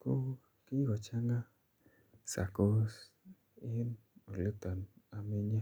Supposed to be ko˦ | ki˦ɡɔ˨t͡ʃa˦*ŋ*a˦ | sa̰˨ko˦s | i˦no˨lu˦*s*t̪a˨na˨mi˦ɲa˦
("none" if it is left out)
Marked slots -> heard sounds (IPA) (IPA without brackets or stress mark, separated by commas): ŋ, none